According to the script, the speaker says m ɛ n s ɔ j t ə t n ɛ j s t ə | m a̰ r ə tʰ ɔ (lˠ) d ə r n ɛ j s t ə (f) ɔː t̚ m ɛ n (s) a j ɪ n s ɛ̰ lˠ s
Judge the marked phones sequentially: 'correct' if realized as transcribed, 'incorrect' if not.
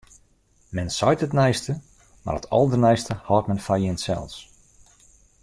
correct, incorrect, incorrect

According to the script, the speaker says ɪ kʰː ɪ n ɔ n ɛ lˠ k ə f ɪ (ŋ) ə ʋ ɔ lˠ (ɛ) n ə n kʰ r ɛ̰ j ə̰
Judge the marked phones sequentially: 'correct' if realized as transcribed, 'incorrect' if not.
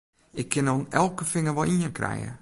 correct, incorrect

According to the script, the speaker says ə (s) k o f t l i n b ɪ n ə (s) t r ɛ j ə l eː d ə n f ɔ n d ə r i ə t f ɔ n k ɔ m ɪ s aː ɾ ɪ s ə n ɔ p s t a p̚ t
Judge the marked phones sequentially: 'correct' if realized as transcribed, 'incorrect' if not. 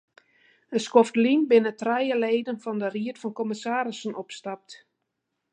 correct, incorrect

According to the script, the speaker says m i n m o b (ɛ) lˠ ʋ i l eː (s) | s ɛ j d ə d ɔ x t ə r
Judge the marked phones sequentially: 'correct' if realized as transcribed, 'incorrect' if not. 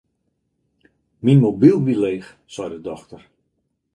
incorrect, incorrect

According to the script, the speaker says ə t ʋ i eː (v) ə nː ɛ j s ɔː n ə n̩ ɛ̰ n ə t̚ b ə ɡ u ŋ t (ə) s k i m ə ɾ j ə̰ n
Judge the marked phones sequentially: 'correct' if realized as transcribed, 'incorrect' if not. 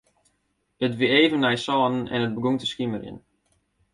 correct, correct

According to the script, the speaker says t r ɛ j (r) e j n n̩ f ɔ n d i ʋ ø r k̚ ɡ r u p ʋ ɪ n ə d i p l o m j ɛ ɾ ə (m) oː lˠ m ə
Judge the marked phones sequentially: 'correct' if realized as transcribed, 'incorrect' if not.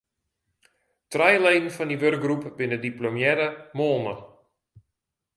incorrect, correct

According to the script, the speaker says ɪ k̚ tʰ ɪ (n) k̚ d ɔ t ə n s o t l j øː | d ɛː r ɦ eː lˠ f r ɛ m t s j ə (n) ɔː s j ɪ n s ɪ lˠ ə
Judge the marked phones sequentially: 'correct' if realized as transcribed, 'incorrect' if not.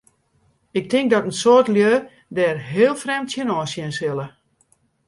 incorrect, correct

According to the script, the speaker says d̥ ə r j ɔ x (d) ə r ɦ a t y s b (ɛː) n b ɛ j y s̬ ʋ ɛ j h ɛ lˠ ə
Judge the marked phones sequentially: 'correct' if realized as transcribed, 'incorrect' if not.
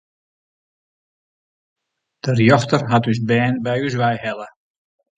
incorrect, correct

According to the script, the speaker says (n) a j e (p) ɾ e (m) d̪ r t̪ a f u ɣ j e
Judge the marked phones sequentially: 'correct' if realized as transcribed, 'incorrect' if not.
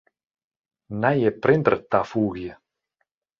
correct, correct, incorrect

